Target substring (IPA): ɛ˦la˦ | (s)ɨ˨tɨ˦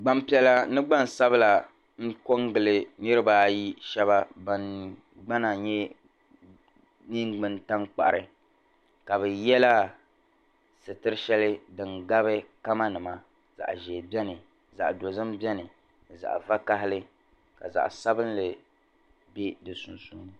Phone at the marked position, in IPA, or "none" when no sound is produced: s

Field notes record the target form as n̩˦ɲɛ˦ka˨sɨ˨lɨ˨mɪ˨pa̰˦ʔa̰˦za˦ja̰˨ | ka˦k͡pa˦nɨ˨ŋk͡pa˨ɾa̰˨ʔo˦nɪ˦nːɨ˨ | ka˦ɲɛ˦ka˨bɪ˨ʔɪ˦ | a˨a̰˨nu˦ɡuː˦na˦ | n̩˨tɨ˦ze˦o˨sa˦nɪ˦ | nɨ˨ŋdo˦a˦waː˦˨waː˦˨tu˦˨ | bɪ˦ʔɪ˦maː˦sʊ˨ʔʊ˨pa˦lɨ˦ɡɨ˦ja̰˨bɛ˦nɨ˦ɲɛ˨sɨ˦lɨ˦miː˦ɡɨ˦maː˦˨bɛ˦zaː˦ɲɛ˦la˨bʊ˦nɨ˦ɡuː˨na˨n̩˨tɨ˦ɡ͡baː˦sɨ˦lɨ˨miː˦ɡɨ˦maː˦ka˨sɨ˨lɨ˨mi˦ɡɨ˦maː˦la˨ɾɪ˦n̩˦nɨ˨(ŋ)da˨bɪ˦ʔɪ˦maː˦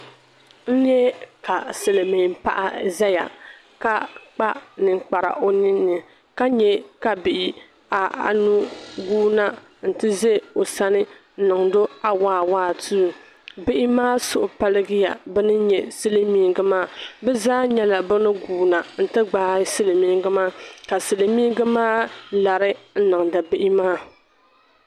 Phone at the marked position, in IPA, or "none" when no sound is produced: ŋ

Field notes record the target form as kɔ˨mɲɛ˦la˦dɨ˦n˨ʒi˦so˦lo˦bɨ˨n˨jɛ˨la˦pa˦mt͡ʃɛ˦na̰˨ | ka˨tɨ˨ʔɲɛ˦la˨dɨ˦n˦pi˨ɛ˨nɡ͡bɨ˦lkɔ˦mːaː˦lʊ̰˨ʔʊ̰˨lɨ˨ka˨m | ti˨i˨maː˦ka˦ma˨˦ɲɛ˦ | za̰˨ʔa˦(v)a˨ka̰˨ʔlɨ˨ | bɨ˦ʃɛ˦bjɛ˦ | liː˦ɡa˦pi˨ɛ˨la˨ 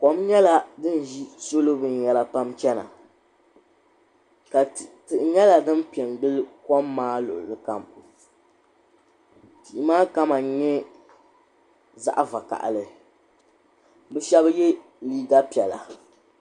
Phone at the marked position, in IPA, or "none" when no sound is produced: v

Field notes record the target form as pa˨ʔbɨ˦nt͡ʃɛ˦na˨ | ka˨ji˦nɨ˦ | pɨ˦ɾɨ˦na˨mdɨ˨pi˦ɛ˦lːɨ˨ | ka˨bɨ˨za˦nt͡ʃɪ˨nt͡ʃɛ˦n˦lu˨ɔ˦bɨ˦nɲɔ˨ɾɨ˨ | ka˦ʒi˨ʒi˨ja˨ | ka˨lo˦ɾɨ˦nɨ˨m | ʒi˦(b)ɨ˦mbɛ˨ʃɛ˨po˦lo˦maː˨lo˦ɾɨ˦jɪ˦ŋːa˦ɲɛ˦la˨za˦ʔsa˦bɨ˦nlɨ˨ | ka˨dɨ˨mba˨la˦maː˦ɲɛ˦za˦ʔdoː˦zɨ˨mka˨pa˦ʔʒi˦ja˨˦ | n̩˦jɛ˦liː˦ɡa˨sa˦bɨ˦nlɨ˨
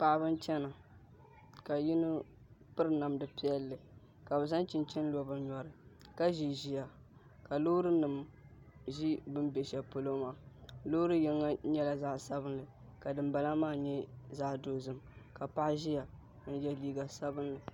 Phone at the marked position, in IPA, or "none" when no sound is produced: b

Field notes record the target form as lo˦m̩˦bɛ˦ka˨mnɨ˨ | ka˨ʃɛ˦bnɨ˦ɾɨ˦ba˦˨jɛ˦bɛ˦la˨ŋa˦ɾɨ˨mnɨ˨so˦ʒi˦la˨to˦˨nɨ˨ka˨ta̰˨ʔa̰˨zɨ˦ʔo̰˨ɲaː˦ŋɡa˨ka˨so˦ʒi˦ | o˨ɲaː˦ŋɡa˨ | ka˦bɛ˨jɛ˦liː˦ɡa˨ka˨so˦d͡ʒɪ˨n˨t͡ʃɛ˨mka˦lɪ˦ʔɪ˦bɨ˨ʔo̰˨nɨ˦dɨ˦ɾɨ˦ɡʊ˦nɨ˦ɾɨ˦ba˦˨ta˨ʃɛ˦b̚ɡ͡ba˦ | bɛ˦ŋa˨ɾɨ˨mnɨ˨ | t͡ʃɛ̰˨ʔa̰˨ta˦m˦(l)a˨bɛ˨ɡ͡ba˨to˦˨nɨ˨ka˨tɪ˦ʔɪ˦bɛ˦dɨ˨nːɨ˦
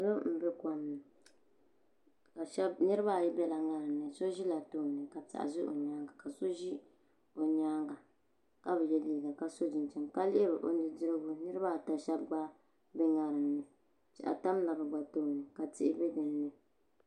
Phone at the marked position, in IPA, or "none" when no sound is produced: l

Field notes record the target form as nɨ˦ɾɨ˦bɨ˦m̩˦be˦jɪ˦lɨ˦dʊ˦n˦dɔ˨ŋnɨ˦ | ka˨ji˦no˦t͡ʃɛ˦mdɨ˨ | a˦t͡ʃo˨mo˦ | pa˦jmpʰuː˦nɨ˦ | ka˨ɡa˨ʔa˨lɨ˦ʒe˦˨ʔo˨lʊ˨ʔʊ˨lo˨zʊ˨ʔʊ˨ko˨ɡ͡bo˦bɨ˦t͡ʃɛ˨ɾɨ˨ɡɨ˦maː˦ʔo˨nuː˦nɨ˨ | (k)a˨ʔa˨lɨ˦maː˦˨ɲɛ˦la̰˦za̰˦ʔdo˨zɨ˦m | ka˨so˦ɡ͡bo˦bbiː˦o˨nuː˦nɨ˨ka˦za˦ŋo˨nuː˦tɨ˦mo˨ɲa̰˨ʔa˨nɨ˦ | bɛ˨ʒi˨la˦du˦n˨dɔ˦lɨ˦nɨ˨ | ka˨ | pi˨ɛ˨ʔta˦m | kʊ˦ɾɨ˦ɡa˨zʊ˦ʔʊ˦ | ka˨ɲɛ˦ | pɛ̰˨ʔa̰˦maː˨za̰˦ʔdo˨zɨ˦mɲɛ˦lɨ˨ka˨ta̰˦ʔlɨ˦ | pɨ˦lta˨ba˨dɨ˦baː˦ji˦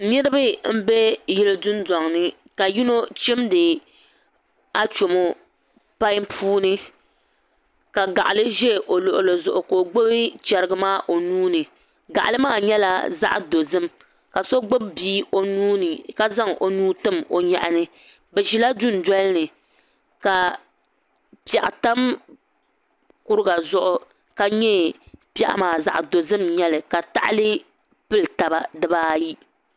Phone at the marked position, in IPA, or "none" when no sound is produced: ɡ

